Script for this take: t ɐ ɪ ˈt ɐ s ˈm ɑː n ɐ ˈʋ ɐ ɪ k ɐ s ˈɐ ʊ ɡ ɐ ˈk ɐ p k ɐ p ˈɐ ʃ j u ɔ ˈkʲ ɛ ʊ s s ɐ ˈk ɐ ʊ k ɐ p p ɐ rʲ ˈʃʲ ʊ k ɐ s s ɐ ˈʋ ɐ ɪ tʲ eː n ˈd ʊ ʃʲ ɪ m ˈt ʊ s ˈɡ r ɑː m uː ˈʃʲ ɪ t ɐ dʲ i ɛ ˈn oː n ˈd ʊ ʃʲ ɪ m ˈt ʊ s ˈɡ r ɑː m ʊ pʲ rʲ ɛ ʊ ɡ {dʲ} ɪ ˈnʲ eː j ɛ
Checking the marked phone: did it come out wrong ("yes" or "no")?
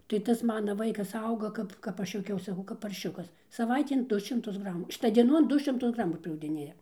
no